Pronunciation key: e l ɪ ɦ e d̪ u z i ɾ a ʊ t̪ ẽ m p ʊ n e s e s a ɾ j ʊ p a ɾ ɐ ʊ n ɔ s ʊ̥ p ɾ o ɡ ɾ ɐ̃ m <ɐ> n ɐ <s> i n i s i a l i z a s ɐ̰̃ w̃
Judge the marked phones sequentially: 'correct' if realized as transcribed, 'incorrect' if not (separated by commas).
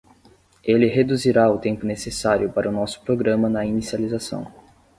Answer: correct, incorrect